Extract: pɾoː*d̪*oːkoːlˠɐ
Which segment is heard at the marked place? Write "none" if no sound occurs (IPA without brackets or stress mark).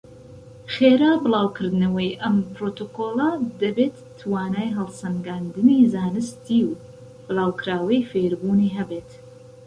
t̪